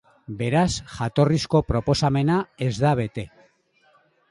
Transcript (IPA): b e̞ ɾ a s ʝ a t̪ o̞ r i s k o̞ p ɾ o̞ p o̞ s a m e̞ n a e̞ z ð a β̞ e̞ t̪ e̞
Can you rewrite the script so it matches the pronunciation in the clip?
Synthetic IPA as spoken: b e̞ ɾ a s ʝ a t̪ o̞ r i s k o̞ p ɾ o̞ p o̞ s a m e̞ n a e̞ z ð a β̞ e̞ t̪ e̞